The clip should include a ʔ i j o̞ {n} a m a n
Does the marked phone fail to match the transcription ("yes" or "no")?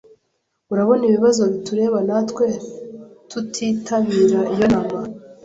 no